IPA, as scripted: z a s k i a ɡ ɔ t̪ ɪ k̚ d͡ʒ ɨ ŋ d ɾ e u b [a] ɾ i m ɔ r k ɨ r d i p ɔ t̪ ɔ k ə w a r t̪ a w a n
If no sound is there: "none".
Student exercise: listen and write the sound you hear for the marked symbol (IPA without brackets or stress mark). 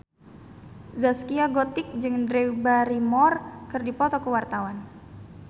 a